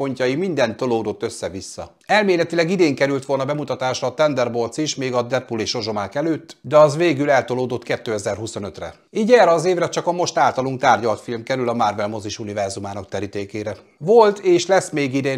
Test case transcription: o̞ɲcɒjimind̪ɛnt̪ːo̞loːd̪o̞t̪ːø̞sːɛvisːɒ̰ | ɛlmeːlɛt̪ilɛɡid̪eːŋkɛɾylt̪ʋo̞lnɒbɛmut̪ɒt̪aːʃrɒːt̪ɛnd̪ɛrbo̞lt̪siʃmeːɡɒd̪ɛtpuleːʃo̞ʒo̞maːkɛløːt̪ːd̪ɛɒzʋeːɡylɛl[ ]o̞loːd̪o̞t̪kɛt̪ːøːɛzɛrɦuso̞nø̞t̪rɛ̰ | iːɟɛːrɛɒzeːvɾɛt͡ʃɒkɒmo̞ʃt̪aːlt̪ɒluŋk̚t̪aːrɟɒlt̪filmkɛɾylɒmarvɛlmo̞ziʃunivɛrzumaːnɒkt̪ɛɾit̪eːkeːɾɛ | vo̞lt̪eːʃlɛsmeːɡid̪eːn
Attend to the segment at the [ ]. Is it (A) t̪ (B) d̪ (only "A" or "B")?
A